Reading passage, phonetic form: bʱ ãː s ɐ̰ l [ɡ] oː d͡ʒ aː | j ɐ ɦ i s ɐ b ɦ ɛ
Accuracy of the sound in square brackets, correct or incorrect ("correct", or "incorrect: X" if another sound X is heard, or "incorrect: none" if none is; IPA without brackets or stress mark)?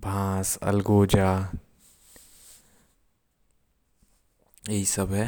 correct